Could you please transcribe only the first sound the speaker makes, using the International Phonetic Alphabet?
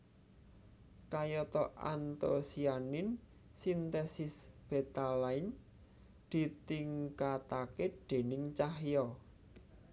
k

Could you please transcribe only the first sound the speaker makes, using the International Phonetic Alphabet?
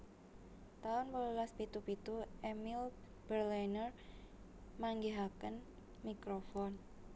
t̪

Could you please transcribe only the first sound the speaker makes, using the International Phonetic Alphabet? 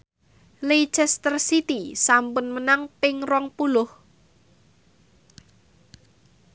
l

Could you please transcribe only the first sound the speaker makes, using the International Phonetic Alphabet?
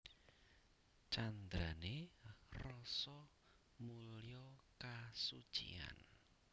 t͡ʃ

